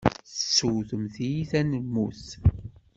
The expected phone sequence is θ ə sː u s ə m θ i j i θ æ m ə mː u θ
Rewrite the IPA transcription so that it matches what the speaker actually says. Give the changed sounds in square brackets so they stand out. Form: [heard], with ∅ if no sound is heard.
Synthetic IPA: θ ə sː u [θ] ə m θ i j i θ æ [n] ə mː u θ